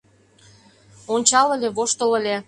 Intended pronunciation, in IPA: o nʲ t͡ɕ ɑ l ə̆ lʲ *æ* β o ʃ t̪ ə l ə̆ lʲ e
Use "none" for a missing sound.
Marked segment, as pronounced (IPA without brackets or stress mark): e